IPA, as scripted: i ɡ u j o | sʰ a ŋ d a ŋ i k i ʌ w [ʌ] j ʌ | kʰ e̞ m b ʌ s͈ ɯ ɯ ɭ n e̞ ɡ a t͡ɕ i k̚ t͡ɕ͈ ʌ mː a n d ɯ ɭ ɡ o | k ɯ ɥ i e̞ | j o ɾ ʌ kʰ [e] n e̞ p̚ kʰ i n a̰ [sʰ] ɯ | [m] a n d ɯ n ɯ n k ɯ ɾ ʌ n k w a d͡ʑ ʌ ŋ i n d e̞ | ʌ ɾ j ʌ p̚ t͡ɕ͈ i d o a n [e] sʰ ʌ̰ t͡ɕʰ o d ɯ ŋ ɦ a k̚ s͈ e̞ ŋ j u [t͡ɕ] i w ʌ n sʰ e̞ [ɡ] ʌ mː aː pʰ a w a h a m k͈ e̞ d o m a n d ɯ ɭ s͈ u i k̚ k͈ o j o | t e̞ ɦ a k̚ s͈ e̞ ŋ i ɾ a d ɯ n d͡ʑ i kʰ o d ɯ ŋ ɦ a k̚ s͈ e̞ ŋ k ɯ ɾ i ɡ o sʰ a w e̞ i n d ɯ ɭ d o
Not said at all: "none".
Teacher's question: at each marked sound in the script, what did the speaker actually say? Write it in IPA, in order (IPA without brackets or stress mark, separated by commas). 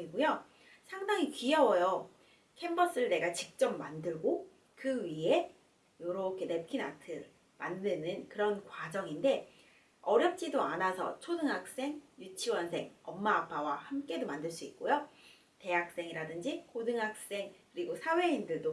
ʌ, e, tʰ, m, a, t͡ɕʰ, ŋ